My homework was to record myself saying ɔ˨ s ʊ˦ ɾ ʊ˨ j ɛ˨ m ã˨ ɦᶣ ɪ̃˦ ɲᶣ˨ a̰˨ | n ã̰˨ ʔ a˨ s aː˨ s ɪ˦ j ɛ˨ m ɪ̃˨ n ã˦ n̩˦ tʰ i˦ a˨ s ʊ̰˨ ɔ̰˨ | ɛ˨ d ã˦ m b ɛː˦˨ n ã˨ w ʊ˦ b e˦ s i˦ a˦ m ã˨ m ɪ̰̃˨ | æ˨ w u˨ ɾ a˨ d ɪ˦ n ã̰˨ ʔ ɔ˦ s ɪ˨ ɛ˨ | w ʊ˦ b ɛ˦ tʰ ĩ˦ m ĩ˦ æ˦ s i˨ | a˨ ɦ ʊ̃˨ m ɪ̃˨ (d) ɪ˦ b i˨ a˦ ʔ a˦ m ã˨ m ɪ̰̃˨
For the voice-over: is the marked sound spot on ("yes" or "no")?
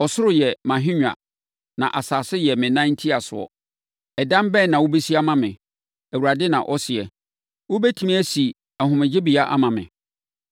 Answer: no